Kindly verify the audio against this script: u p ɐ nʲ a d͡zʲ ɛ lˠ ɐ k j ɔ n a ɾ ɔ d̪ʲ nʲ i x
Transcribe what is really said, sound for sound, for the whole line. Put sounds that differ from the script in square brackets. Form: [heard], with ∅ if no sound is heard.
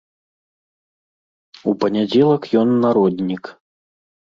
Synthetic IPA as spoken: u p ɐ nʲ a d͡zʲ ɛ lˠ ɐ k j ɔ [nː] a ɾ ɔ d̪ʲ nʲ i [k]